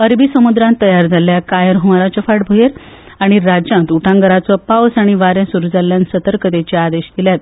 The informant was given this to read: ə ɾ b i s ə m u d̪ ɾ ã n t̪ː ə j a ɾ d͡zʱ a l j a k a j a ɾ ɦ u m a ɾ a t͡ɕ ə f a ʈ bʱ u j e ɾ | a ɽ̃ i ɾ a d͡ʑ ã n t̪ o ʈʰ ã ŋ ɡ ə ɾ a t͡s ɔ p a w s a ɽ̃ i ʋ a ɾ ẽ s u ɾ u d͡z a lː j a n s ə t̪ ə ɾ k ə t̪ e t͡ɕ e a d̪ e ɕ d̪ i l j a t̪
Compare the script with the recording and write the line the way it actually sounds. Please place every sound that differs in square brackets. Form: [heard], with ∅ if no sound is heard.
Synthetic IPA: ə ɾ b i s ə m u d̪ ɾ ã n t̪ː ə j a ɾ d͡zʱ a l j a k a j [ə] ɾ ɦ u m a ɾ a t͡ɕ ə f a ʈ bʱ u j e ɾ | a ɽ̃ i ɾ a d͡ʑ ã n t̪ [u] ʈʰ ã ŋ ɡ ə ɾ a t͡s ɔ p a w s a ɽ̃ i ʋ a ɾ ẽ s u ɾ u d͡z a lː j a n s ə t̪ ə ɾ k ə t̪ e t͡ɕ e a d̪ e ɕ d̪ i l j a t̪